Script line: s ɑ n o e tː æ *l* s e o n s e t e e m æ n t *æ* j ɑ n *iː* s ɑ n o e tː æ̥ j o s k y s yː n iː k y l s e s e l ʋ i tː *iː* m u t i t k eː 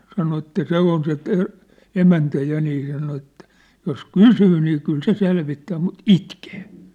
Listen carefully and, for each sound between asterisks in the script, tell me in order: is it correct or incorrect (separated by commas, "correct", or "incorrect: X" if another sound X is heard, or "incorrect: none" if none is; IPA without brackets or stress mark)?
incorrect: none, correct, correct, incorrect: æː